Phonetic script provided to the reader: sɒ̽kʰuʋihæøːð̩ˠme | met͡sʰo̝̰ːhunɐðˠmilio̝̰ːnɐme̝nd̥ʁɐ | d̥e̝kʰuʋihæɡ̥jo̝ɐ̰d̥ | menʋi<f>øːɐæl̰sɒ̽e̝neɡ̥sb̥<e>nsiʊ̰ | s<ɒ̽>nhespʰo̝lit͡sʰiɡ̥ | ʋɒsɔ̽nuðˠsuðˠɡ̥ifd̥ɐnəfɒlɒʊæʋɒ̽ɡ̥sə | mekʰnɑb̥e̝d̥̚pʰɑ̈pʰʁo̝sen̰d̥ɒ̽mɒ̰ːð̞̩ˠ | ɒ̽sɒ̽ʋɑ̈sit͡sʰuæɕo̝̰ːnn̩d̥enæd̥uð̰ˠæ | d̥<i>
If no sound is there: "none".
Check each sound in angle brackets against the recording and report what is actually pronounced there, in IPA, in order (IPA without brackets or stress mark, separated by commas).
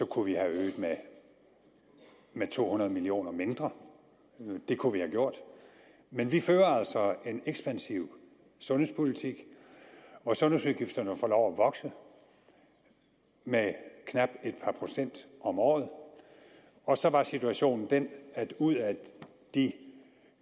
f, æ, ɔ̽, i